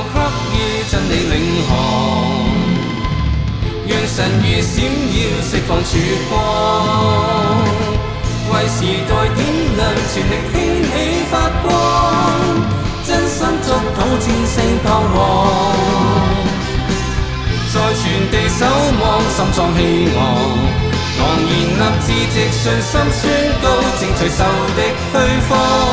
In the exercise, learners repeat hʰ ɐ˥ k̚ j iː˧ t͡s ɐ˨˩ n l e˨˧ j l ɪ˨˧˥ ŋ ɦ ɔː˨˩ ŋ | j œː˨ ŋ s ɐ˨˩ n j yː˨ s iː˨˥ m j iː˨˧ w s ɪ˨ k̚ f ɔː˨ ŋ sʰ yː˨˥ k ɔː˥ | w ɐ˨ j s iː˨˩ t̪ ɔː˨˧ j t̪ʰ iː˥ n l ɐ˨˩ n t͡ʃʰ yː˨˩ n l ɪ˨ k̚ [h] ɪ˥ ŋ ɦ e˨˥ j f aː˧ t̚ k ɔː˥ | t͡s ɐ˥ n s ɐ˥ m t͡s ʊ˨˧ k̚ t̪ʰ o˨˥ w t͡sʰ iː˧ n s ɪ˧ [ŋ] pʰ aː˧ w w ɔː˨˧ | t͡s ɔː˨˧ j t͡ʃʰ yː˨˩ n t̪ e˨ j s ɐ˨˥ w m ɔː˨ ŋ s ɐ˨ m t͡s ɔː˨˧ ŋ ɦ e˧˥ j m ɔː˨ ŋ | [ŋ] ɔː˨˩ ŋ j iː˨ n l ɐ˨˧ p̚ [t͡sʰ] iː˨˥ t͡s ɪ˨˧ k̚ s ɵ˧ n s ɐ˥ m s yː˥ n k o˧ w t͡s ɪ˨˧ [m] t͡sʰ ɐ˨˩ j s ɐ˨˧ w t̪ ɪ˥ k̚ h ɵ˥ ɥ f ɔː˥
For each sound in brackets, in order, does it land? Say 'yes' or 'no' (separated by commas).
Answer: yes, yes, yes, no, no